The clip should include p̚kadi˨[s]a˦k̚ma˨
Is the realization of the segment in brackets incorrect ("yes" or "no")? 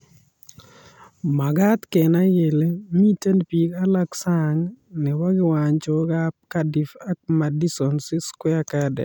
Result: yes